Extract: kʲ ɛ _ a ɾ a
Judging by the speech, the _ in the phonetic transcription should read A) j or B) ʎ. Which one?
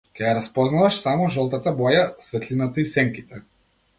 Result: A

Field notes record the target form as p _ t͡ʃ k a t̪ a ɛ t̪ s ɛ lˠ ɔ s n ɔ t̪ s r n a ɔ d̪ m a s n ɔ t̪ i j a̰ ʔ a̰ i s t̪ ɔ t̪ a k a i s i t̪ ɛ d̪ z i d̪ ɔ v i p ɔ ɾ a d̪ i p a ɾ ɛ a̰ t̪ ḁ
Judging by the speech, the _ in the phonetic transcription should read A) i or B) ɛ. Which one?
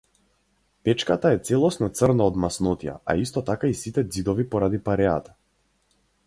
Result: B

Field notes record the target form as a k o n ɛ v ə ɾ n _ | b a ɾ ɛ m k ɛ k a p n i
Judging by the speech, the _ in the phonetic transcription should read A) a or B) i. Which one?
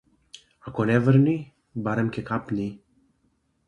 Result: B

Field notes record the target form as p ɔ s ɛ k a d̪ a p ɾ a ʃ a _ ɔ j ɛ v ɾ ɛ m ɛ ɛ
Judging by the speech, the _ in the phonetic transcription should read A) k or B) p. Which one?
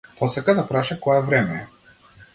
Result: A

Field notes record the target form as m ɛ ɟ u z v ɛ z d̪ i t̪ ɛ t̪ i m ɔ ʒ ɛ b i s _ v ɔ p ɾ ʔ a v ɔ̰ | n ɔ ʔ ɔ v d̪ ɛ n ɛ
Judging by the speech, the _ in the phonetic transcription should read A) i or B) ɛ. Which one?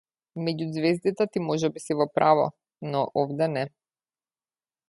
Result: A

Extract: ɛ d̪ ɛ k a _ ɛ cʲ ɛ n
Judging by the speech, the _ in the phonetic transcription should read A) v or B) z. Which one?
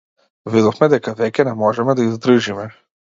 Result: A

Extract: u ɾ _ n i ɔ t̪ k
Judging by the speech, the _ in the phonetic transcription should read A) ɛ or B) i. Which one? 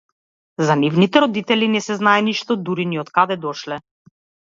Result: B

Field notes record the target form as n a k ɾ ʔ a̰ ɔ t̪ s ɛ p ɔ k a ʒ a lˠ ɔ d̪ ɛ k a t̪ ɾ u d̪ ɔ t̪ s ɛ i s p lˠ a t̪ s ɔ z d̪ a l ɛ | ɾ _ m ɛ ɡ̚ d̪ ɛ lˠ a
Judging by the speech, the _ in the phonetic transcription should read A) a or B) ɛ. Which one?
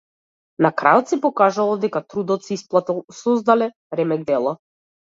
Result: B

